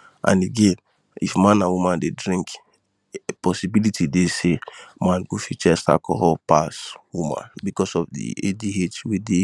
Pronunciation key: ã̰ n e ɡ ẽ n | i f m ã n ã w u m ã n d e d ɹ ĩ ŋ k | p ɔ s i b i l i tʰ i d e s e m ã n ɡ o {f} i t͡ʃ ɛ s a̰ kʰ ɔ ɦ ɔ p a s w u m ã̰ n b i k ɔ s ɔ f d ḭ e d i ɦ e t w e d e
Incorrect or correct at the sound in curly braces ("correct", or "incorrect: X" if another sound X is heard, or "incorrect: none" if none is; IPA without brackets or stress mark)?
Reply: correct